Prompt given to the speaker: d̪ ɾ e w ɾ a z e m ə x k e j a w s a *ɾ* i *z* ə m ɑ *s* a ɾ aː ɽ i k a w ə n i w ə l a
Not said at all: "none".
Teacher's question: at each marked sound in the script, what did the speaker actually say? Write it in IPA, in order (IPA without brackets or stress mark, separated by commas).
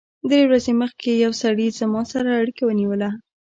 ɽ, z, s